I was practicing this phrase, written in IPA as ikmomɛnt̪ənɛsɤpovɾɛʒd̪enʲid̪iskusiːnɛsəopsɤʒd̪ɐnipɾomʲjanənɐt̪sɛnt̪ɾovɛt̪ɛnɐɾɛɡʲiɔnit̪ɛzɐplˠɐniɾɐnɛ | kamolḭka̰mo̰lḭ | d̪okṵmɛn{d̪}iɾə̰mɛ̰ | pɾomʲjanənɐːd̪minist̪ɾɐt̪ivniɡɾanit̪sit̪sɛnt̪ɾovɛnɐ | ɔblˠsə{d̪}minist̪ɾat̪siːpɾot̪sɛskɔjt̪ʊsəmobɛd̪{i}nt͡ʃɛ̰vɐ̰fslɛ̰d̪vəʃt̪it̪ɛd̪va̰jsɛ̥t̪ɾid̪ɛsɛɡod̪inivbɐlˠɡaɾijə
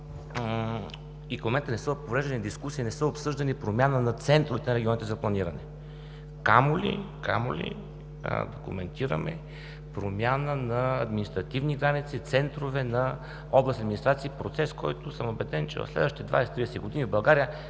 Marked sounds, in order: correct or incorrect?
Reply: incorrect, correct, incorrect

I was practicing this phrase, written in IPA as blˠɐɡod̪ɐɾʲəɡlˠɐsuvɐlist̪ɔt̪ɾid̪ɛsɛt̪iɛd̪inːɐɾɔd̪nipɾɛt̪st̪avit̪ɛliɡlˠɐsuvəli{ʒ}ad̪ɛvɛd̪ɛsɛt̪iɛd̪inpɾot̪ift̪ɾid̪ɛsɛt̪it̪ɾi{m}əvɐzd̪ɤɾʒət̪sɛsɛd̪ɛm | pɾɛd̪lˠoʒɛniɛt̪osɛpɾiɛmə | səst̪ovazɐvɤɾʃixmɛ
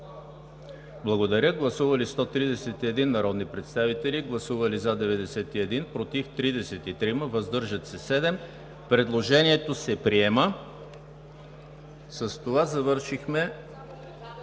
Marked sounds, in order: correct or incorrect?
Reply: incorrect, correct

